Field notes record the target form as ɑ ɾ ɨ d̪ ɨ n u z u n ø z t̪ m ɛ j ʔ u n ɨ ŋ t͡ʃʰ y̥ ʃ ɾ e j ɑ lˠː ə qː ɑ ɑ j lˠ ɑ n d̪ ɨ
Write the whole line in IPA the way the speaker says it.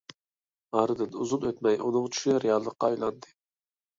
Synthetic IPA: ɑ ɾ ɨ d̪ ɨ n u z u n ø t̪ m ɛ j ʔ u n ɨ ŋ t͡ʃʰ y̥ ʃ ɾ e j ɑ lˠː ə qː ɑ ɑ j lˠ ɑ n d̪ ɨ